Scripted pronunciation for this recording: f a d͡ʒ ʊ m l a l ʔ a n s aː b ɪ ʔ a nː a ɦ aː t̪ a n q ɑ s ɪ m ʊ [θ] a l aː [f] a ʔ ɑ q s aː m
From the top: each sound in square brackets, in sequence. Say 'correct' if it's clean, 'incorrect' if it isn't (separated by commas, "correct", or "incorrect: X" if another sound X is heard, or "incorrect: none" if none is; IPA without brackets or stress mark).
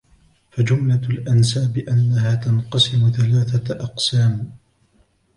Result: correct, incorrect: θ